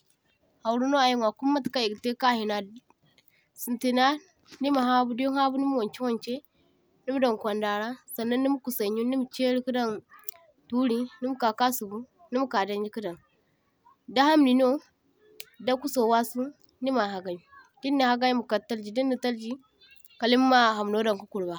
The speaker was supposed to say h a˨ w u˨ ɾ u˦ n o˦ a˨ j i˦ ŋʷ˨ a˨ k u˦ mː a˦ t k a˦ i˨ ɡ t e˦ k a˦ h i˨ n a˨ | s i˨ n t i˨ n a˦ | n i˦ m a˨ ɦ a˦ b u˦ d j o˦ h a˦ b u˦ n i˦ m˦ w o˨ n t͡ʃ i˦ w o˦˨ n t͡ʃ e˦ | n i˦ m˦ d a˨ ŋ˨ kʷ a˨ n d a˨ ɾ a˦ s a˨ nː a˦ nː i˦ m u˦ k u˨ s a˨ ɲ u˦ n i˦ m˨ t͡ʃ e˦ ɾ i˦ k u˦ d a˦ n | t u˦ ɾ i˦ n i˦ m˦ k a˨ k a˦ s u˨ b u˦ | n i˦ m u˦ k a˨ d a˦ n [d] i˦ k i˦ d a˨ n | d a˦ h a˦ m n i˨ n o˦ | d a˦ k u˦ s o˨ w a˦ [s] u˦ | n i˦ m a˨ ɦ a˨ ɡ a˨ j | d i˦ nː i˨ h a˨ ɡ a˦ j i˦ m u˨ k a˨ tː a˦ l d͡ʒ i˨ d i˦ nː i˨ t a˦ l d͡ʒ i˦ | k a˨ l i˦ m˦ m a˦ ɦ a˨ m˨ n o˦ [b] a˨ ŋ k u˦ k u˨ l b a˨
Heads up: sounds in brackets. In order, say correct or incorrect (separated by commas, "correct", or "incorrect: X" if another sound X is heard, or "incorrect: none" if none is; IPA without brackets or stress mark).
incorrect: d͡ʒ, correct, incorrect: d